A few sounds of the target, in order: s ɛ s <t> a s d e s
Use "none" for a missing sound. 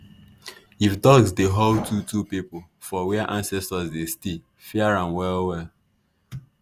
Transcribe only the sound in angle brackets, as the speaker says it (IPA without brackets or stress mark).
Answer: t